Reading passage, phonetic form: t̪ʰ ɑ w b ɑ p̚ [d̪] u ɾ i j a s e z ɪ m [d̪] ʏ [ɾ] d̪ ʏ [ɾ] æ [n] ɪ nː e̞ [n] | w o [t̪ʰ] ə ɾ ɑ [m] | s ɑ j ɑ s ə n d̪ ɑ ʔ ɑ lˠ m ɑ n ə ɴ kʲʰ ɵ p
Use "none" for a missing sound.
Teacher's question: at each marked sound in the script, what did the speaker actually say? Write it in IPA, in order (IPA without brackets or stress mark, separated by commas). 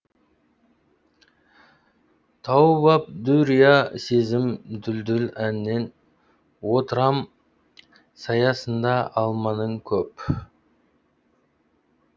d̪, d̪, l, l, n, n, t̪, m